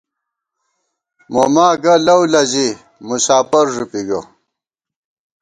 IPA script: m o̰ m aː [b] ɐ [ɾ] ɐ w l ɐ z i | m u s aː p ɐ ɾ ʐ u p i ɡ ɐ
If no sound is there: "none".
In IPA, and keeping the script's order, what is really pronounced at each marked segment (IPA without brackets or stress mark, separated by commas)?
ɡ, l